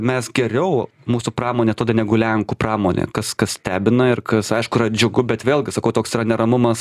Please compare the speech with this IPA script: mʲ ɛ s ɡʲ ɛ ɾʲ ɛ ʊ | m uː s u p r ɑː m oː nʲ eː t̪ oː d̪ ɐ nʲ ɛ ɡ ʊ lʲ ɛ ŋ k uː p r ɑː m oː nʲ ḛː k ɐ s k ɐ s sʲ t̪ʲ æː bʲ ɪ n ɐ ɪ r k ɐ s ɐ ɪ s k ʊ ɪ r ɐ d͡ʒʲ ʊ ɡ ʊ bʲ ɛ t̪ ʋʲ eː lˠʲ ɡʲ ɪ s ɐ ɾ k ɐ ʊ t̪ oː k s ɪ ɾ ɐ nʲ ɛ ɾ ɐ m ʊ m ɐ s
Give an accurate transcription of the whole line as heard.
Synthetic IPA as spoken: mʲ ɛ s ɡʲ ɛ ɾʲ ɛ ʊ | m uː s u p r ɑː m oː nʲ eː t̪ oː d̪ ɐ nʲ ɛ ɡ ʊ lʲ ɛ ŋ k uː p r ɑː m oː nʲ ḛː k ɐ s k ɐ s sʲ t̪ʲ æː bʲ ɪ n ɐ ɪ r k ɐ s ɐ ɪ ʃ k ʊ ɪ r ɐ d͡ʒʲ ʊ ɡ ʊ bʲ ɛ t̪ ʋʲ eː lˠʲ ɡʲ ɪ s ɐ k ɐ ʊ t̪ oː k s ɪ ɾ ɐ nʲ ɛ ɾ ɐ m ʊ m ɐ s